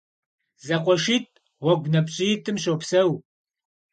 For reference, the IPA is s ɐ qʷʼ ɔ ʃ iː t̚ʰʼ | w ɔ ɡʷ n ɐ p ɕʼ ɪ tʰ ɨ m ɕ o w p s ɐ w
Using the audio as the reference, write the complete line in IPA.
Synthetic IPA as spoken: z ɐ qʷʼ ɔ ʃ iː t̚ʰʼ | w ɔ ɡʷ n ɐ p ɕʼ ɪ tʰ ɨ m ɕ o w p s ɐ w